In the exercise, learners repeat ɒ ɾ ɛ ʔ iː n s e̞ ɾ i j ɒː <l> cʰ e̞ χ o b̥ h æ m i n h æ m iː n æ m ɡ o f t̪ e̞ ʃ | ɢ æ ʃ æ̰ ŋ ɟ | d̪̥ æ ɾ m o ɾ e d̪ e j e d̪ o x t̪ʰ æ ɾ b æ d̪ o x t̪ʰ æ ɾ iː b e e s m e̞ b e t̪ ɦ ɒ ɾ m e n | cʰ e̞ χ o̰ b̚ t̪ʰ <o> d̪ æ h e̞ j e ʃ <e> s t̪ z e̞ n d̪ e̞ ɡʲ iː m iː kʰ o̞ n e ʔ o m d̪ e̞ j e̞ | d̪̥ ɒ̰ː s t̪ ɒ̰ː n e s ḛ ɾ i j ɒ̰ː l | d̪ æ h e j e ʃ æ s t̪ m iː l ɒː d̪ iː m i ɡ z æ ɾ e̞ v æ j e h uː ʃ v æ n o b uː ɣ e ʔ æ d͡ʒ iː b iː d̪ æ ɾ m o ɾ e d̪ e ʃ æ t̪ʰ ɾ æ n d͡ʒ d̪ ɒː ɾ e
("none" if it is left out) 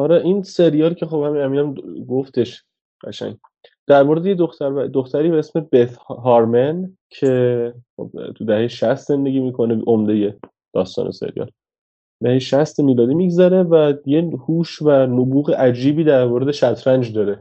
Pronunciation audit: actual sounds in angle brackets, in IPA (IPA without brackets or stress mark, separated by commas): l, u, æ